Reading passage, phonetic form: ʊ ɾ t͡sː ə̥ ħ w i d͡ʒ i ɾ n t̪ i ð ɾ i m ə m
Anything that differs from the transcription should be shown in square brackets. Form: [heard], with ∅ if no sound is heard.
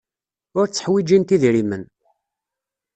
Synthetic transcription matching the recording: ʊ ɾ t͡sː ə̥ ħ w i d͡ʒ i [∅] n t̪ i ð ɾ i m ə [n]